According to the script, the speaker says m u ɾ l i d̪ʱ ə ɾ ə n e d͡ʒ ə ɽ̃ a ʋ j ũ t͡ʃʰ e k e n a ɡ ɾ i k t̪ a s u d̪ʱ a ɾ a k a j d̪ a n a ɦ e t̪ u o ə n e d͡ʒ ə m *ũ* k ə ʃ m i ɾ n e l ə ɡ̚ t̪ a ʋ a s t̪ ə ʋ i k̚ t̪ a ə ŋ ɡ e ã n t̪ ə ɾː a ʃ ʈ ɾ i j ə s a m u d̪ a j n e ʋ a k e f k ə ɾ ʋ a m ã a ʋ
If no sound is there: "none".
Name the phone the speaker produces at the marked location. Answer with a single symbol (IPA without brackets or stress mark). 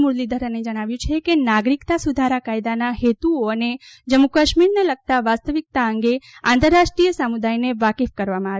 u